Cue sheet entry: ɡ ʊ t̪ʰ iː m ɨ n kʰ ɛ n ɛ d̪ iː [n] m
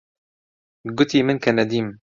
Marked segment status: incorrect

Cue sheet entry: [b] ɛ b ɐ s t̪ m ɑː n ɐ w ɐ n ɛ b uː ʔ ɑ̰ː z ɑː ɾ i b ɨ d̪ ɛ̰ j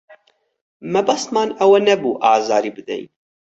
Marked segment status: incorrect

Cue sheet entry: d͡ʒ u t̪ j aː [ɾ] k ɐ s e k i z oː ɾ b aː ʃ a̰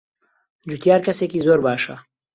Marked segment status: correct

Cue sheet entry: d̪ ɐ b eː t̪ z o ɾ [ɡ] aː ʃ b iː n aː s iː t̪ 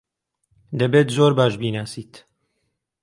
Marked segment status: incorrect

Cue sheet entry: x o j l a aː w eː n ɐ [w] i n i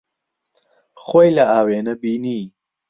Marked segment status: incorrect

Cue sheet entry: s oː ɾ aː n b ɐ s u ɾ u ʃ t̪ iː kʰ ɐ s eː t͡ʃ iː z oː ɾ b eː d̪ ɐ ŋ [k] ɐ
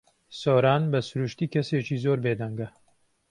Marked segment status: incorrect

